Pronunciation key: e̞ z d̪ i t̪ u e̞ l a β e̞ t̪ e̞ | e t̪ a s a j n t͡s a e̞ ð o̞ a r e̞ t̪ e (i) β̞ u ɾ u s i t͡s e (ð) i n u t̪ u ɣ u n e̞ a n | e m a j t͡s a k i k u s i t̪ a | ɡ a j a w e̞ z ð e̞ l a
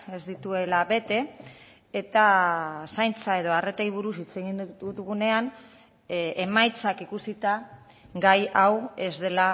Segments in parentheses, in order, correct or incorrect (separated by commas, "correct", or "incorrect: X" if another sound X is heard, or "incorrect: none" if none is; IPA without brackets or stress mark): incorrect: j, incorrect: ɣ